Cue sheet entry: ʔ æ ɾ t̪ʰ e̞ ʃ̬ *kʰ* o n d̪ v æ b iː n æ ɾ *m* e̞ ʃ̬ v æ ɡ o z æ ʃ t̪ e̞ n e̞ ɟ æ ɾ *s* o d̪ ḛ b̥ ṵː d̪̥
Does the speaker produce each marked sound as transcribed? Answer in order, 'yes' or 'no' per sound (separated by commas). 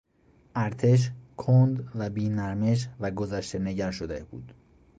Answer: yes, yes, no